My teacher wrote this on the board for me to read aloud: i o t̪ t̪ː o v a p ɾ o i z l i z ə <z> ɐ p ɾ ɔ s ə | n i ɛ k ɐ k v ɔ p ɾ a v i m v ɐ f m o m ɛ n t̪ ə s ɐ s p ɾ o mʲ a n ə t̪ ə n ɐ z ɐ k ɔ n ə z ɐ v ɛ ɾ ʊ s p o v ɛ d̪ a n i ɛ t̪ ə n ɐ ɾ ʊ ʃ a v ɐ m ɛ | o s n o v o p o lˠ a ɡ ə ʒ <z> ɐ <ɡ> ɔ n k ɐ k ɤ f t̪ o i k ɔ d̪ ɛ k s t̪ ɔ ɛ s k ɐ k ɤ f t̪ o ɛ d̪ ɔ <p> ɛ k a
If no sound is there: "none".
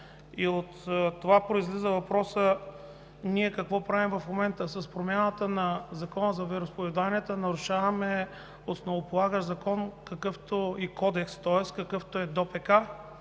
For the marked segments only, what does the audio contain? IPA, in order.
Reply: v, z, k, p

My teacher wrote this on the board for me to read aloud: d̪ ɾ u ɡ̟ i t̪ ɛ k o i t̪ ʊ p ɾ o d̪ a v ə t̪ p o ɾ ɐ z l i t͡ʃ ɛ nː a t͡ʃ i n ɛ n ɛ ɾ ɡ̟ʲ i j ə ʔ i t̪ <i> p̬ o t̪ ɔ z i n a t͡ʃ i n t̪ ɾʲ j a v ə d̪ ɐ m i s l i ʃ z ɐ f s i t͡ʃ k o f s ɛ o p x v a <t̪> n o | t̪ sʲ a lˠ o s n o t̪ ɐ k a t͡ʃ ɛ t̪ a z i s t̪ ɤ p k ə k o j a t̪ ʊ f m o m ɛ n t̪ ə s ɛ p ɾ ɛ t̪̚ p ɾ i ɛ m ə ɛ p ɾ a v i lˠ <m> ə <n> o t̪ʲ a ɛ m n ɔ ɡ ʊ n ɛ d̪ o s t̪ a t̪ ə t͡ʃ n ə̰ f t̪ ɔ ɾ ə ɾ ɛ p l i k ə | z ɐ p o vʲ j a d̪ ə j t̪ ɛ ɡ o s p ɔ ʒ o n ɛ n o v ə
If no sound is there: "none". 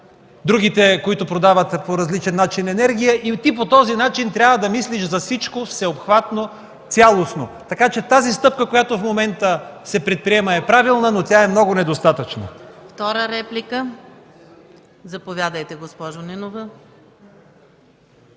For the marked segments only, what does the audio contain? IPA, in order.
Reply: i, t̪, n, n

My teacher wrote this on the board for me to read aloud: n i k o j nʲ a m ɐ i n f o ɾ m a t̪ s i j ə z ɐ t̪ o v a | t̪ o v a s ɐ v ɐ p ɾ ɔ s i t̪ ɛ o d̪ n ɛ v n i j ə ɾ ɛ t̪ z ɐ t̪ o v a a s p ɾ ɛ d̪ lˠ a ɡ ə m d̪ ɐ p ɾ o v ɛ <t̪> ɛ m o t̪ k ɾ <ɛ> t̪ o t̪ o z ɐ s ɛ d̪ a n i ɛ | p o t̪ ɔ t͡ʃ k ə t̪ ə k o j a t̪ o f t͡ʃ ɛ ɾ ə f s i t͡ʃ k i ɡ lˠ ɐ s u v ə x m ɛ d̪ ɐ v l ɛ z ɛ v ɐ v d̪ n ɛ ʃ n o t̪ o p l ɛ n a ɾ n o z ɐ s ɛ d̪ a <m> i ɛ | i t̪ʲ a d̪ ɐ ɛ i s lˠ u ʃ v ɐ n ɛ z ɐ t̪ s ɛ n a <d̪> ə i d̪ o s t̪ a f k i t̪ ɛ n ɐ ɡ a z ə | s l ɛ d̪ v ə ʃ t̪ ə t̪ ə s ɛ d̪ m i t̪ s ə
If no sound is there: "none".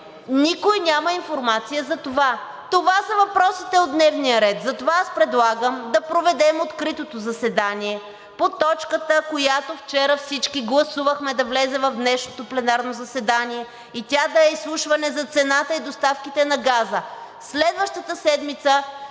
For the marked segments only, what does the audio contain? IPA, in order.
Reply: d̪, i, n, t̪

